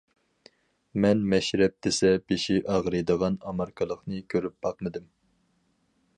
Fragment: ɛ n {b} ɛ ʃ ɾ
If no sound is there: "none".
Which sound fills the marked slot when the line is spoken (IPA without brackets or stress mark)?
m